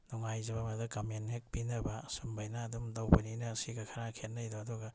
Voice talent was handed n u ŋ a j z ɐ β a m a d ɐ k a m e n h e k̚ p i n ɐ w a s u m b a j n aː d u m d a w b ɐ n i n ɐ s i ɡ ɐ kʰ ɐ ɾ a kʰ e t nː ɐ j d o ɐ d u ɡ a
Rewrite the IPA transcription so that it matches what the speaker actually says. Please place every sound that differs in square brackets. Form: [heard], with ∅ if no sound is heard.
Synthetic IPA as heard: n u ŋ a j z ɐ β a m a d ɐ k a m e n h e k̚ p i n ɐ [b] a s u m b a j n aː d u m d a w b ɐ n i n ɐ s i ɡ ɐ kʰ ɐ ɾ a kʰ e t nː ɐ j d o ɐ d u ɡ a

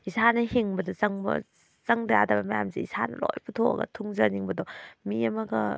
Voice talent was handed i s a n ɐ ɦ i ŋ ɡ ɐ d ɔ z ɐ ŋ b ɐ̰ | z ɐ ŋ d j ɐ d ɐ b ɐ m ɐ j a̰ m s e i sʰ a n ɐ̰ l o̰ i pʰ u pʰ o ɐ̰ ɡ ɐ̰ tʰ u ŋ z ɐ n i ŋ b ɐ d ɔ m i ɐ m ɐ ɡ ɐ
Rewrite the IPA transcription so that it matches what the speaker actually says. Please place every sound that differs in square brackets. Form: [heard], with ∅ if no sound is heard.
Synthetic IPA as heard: i s a n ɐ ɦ i ŋ [b] ɐ d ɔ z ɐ ŋ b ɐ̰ | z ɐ ŋ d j [a] d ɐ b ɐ m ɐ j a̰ m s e i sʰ a n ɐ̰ l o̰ [j] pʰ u [tʰ] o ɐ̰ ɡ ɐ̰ tʰ u ŋ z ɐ n i ŋ b ɐ d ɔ m i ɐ m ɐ ɡ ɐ

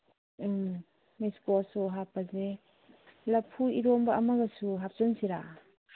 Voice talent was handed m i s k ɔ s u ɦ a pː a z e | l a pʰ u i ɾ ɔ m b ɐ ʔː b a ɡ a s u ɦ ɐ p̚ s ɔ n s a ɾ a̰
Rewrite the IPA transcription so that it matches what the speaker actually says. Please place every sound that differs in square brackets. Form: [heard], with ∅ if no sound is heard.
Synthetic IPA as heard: m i s k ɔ s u ɦ a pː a z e | l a pʰ u i ɾ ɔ m b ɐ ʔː [m] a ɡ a s u ɦ [a] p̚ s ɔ n s [i] ɾ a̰

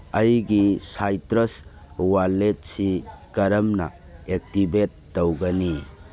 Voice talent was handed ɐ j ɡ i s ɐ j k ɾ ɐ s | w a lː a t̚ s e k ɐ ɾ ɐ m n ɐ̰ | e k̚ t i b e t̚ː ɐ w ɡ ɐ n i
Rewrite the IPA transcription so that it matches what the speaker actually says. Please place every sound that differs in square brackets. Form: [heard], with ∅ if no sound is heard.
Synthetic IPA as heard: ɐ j ɡ i s [a] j [t] ɾ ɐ s | w a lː [e] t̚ s [i] k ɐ ɾ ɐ m n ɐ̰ | e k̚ t i b e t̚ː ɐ w ɡ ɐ n i

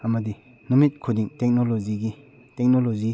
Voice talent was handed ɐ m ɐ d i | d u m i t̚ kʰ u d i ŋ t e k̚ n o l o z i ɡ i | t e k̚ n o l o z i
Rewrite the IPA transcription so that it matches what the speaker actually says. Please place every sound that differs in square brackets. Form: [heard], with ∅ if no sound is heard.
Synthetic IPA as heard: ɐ m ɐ d i | [n] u m i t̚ kʰ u d i ŋ t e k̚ n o l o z i ɡ i | t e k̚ n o l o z i

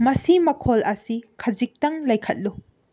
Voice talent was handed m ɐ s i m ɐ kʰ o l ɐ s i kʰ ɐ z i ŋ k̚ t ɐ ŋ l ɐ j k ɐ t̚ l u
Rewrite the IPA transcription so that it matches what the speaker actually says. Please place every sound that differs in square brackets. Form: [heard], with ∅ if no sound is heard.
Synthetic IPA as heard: m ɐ s i m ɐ kʰ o l ɐ s i kʰ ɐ z i [∅] k̚ t ɐ ŋ l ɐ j [kʰ] ɐ t̚ l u

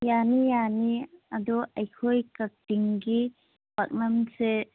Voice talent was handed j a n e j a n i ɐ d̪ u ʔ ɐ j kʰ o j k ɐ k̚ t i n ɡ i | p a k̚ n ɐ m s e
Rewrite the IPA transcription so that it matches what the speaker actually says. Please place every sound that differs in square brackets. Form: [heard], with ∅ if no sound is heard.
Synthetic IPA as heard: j a n [i] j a n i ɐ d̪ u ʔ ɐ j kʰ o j k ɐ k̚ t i [ŋ] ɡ i | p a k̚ n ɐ m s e

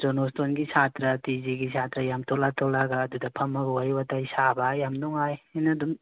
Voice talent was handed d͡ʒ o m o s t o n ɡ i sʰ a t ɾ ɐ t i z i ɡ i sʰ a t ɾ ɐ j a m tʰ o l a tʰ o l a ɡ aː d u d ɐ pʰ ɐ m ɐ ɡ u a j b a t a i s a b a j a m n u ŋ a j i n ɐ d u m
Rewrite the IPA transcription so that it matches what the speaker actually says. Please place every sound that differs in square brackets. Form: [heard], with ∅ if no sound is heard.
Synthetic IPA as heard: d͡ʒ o [n] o s t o n ɡ i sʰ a t ɾ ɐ t i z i ɡ i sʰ a t ɾ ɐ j a m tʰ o l a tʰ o l a ɡ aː d u d ɐ pʰ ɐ m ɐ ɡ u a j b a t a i s a b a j a m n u ŋ a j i n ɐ d u m

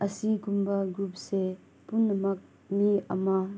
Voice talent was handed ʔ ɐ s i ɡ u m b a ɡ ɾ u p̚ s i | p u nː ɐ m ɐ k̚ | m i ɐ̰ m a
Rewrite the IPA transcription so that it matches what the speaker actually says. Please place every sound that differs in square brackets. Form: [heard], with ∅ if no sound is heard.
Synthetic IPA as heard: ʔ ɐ s i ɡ u m b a ɡ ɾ u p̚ s [e] | p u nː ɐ m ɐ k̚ | m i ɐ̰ m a

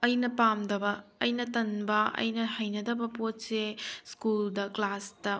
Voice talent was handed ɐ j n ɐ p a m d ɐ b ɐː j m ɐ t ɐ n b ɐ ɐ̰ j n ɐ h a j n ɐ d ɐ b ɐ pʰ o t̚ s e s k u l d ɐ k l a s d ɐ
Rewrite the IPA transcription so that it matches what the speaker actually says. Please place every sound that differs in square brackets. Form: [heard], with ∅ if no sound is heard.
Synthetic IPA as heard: ɐ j n ɐ p a m d ɐ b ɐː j [n] ɐ t ɐ n b ɐ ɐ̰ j n ɐ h [ɐ] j n ɐ d ɐ b ɐ [p] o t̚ s e s k u l d ɐ k l a s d ɐ

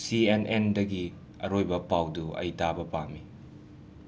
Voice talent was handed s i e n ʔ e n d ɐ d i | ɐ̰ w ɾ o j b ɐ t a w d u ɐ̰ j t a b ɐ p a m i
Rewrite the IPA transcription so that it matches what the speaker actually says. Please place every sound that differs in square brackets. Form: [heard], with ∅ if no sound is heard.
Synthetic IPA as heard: s i e n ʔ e n d ɐ [ɡ] i | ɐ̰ [∅] ɾ o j b ɐ [p] a w d u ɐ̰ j t a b ɐ p a m i

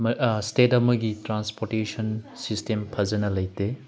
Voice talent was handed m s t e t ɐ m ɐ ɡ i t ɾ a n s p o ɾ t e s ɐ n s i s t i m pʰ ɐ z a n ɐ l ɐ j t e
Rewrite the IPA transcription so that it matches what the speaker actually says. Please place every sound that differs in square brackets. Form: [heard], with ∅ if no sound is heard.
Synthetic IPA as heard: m s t e t ɐ m ɐ ɡ i t ɾ a n s p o ɾ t e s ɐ n s i s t [e] m pʰ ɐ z [ɐ] n ɐ l ɐ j t e

